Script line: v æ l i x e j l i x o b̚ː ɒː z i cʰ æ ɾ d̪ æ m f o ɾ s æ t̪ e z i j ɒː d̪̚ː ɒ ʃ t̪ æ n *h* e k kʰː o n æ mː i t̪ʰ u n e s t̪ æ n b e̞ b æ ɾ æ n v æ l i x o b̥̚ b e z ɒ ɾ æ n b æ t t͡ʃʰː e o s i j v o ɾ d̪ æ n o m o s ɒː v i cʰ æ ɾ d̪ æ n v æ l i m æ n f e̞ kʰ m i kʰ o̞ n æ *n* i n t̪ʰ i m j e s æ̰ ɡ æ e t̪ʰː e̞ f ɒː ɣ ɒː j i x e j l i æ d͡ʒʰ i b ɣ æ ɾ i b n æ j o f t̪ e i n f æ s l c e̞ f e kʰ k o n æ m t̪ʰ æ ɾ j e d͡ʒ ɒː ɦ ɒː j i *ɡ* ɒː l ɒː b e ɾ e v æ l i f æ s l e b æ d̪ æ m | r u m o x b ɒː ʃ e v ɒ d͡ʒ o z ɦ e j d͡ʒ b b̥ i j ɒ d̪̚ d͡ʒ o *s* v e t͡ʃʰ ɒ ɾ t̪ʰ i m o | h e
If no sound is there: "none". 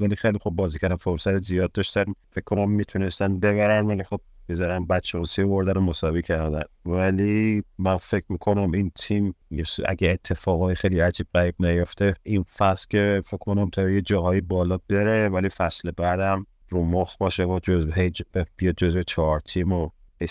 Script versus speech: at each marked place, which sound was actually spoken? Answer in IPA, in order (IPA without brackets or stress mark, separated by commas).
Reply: f, m, b, z